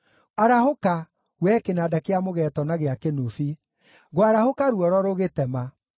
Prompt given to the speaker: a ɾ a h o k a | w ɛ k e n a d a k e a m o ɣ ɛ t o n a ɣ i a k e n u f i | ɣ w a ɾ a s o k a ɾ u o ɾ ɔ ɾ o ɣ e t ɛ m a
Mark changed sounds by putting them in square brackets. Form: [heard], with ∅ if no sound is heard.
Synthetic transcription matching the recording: a ɾ a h o k a | w ɛ k e n a d a k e a m o ɣ ɛ t [ɔ] n a ɣ [e] a k e n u f i | ɣ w a ɾ a [h] o k a ɾ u [ɔ] ɾ ɔ ɾ o ɣ e t ɛ m a

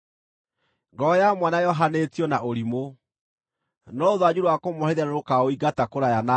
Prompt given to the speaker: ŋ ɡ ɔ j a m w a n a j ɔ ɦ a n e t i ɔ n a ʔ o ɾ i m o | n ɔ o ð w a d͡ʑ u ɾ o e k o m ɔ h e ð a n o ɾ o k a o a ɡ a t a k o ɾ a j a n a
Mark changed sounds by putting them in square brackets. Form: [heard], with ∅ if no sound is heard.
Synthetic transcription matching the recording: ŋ ɡ ɔ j a m w a n a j ɔ ɦ a n e t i ɔ n a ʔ o ɾ i m o | n ɔ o ð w a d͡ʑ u ɾ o [a] k o m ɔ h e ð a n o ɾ o k a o [i] ɡ a t a k o ɾ a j a n a

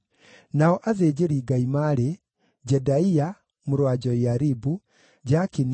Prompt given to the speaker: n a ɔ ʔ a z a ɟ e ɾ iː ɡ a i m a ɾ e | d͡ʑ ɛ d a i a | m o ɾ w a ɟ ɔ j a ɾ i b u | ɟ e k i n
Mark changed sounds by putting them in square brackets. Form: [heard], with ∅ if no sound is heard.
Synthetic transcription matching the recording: n a ɔ ʔ a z [e] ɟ e ɾ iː ɡ a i m a ɾ e | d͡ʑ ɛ d a i a | m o ɾ w a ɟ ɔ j a ɾ i b u | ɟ [a] k i n

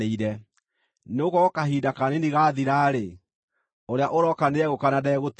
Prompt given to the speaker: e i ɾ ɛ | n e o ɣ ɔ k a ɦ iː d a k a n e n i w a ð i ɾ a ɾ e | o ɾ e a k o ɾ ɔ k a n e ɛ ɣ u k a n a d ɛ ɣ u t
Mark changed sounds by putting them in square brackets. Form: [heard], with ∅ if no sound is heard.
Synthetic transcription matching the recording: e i ɾ ɛ | n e o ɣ ɔ k a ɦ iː d a k a n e n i [ɣ] a ð i ɾ a ɾ e | o ɾ e a [ʔ] o ɾ ɔ k a n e ɛ ɣ [o] k a n a d ɛ ɣ [o] t

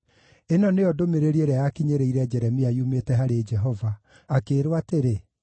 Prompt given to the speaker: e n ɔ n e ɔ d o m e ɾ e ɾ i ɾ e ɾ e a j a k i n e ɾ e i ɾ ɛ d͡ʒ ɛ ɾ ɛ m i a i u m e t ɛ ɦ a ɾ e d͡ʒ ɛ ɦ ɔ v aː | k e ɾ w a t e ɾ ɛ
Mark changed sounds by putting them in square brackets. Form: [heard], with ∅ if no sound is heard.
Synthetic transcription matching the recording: e n ɔ n e ɔ d o m e ɾ e ɾ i [∅] e ɾ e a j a k i [ɲ] e ɾ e i ɾ ɛ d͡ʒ ɛ ɾ ɛ m i a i u m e t ɛ ɦ a ɾ e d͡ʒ ɛ ɦ ɔ v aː | k e ɾ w a t e ɾ [e]

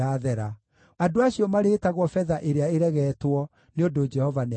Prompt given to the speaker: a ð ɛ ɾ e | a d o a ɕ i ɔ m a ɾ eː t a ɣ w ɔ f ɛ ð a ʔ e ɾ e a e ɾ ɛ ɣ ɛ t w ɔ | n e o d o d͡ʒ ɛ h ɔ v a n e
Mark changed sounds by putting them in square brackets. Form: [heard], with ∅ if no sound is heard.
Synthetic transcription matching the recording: a ð ɛ ɾ [a] | a d o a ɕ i ɔ m a ɾ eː t a ɣ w ɔ f ɛ ð a ʔ e ɾ e a e ɾ ɛ ɣ ɛ t w ɔ | n e o d o d͡ʒ ɛ h ɔ v a n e

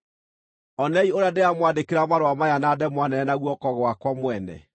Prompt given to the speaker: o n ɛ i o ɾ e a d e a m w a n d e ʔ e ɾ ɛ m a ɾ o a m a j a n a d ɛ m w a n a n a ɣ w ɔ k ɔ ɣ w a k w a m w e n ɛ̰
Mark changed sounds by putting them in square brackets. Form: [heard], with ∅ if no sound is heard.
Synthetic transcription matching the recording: [ɔ] n ɛ i o ɾ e a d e a m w a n d e [k] e ɾ [a] m a ɾ o a m a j a n a d ɛ m w a n [ɛ] n a ɣ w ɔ k ɔ ɣ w a k w a m w [ɛ] n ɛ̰

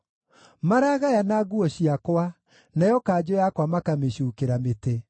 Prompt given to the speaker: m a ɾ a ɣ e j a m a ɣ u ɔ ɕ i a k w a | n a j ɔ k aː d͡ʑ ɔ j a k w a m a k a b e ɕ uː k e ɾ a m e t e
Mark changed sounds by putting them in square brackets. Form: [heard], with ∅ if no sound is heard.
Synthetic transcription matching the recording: m a ɾ a ɣ [a] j a [n] a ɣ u ɔ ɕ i a k w a | n a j ɔ k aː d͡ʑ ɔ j a k w a m a k a [m] e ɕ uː k e ɾ a m e t e

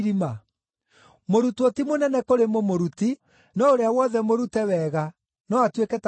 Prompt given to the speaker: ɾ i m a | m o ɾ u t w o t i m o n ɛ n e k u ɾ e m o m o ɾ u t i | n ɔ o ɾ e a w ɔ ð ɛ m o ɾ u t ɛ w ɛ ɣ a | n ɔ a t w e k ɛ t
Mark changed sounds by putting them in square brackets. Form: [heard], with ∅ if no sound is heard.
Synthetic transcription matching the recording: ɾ i m a | m o ɾ u t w o t i m o n ɛ n [ɛ] k [o] ɾ e m o m o ɾ u t i | n ɔ o ɾ e a w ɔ ð ɛ m o ɾ u t ɛ w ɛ ɣ a | n ɔ a t w e k ɛ t

